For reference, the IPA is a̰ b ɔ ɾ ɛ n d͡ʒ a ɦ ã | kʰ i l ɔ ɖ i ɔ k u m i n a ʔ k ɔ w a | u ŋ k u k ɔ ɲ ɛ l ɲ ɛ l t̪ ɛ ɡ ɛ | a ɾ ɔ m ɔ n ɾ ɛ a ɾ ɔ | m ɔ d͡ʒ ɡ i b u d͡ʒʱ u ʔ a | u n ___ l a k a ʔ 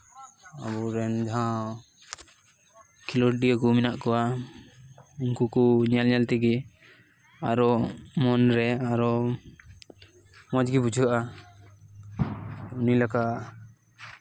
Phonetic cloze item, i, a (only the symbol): i